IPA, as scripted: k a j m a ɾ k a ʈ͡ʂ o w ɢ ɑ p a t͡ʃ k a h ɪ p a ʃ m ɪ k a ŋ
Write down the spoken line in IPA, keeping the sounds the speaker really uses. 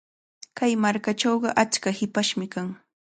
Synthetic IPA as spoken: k a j m a ɾ k a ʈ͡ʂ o w ɢ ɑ ʔ a t͡ʃ k a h ɪ p a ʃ m ɪ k a ŋ